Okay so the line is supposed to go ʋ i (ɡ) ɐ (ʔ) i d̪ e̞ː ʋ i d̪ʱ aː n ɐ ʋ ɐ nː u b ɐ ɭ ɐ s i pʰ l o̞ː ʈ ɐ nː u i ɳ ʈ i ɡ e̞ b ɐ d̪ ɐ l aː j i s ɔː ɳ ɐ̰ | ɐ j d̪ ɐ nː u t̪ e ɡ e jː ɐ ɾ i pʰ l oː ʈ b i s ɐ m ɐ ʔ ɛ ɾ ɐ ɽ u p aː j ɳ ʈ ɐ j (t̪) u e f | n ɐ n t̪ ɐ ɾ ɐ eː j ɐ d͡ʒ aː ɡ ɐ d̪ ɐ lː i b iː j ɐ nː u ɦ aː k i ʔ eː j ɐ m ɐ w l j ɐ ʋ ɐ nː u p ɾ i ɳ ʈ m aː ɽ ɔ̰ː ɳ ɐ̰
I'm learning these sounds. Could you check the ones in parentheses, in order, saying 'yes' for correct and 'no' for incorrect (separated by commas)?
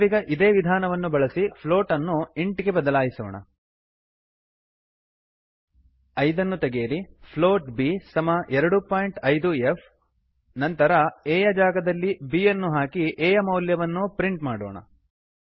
yes, yes, no